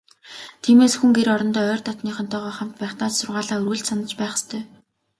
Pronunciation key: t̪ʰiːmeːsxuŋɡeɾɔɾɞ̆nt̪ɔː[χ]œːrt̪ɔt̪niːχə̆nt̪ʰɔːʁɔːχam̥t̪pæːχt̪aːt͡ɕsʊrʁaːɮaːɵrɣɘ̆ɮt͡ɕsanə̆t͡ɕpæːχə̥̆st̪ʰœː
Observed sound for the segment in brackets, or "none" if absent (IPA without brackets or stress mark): none